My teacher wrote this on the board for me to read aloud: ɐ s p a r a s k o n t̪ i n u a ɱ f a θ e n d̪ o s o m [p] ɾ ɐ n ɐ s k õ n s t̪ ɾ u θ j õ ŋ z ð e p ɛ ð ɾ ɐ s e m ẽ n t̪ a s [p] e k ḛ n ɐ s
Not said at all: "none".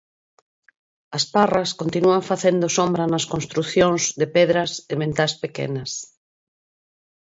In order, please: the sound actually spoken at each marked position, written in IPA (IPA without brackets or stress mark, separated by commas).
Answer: b, p